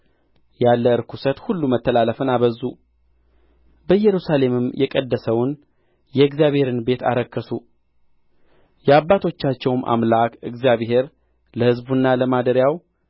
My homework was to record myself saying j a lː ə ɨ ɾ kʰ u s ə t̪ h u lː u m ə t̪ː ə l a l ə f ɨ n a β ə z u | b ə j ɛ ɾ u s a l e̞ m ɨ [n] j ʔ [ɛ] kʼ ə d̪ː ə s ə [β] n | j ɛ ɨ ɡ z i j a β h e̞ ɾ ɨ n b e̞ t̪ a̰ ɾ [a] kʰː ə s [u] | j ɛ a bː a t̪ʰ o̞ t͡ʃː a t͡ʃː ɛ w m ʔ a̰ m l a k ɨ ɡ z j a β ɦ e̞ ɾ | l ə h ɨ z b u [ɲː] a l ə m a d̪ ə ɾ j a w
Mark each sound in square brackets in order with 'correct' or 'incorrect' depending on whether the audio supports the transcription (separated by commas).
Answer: incorrect, correct, incorrect, incorrect, correct, incorrect